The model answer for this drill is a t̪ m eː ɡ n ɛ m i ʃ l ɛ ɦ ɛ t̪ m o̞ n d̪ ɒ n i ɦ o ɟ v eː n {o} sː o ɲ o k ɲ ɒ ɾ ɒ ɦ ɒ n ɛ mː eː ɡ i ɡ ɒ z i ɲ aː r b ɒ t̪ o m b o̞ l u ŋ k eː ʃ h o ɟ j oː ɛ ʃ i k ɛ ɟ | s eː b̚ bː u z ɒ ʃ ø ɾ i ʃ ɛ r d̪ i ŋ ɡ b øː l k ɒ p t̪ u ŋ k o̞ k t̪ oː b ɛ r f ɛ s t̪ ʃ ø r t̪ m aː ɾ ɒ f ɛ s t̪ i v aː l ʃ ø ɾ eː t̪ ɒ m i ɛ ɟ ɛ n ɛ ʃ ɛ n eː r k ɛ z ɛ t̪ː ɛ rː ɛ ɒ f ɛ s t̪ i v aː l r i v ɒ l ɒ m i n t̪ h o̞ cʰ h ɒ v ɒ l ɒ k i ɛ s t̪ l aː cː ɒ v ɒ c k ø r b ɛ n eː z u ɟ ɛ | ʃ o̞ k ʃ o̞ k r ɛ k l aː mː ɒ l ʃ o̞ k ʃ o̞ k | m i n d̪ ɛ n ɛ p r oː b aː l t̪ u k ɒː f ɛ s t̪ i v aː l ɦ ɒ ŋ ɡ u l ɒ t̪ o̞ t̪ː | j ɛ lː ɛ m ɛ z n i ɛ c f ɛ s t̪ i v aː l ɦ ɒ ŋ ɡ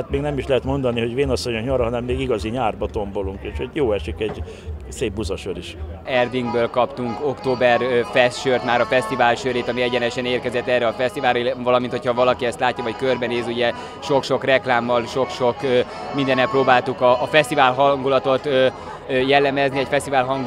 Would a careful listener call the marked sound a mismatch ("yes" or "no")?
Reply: yes